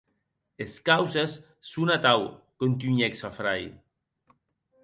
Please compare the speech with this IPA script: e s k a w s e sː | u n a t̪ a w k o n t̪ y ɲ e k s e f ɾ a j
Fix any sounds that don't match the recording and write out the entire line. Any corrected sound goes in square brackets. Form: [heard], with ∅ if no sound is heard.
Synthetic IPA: e s k a w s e sː | u n a t̪ a w k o n t̪ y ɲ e k s [a] f ɾ a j